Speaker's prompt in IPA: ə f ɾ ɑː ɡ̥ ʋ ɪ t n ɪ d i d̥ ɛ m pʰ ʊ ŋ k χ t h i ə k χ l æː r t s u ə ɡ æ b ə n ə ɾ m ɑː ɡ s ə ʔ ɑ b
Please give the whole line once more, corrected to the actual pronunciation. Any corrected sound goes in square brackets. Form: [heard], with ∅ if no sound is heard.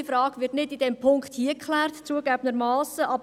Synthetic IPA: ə f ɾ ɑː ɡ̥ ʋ ɪ t n ɪ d i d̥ ɛ m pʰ ʊ ŋ k χ t h i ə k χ l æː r t [t͡s] u ə ɡ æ b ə n ə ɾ m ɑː [∅] s ə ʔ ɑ b